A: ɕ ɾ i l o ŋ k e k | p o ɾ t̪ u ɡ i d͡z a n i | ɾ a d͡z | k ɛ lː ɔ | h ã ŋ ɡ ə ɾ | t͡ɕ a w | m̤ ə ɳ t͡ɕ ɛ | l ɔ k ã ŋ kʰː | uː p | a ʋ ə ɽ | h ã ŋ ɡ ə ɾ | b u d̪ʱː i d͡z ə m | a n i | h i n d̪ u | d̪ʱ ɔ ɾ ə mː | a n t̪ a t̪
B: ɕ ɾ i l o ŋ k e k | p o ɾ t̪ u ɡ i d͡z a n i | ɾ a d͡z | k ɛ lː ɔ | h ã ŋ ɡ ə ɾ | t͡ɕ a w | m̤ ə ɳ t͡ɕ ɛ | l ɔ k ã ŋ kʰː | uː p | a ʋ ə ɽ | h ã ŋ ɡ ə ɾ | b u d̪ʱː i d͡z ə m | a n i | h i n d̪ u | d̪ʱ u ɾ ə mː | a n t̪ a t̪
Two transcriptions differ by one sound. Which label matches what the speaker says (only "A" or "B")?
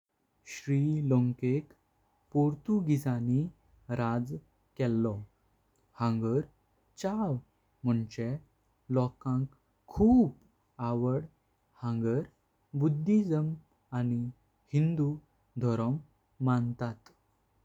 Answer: A